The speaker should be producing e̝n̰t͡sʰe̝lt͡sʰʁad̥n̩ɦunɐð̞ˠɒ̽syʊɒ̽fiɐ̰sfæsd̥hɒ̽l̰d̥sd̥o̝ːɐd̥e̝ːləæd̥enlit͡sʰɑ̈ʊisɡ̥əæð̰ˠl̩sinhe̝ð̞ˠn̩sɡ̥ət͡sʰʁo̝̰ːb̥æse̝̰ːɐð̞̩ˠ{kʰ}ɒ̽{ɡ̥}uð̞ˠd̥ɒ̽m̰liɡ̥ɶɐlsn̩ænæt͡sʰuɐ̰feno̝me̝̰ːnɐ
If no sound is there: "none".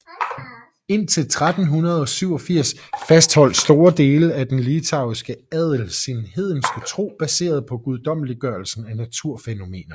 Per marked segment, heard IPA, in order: pʰ, ɡ̥

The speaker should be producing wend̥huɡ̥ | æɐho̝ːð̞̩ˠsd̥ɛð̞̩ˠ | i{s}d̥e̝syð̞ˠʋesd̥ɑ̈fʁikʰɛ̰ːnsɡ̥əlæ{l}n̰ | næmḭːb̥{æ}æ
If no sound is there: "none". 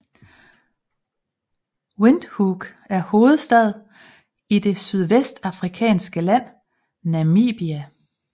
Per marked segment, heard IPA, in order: none, none, i

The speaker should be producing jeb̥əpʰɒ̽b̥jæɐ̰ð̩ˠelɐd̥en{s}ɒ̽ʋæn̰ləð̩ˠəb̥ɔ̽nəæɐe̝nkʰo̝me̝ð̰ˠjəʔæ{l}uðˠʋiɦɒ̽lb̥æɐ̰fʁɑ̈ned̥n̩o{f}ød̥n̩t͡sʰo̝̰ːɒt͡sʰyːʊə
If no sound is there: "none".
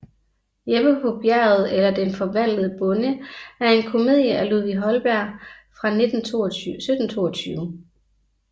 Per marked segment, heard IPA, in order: f, l, s

